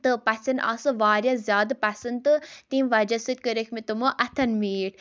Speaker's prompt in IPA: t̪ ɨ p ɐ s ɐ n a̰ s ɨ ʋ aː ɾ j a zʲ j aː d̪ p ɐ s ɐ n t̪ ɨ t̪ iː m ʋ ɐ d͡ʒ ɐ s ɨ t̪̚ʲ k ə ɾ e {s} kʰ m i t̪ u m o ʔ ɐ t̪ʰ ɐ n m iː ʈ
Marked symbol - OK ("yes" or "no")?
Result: no